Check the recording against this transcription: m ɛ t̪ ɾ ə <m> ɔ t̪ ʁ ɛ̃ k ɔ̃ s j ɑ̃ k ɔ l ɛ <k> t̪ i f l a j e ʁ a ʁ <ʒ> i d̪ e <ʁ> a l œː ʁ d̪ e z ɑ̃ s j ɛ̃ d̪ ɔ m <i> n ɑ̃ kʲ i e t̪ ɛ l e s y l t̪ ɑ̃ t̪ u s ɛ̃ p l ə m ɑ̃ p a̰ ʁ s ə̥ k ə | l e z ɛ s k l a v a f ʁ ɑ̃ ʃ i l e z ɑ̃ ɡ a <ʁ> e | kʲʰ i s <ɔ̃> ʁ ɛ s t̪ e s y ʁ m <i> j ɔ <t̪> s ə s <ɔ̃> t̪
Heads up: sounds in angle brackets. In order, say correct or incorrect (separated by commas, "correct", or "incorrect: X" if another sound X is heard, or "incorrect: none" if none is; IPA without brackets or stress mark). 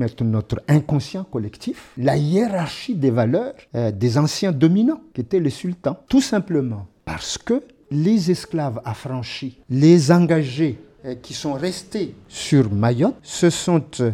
incorrect: n, correct, incorrect: ʃ, incorrect: v, correct, incorrect: ʒ, correct, incorrect: a, correct, correct